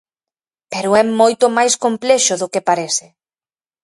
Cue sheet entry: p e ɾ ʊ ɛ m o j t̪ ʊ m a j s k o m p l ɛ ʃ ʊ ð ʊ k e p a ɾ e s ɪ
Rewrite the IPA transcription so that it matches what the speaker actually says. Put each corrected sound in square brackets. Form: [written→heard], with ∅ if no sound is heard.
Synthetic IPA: p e ɾ ʊ ɛ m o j t̪ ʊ m a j s k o m p l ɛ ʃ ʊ ð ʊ k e p a ɾ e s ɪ